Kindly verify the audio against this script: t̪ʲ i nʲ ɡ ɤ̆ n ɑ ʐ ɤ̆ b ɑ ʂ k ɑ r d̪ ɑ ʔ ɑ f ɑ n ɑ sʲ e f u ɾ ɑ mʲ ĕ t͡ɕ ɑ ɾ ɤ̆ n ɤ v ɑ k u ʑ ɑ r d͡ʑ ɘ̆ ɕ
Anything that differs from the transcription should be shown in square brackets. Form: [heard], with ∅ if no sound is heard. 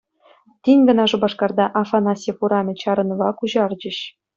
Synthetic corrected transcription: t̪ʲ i nʲ ɡ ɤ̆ n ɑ ʐ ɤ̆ b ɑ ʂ k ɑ r d̪ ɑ ʔ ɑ f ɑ n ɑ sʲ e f u ɾ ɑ mʲ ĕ t͡ɕ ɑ ɾ ɤ̆ n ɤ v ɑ k u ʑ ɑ r d͡ʑ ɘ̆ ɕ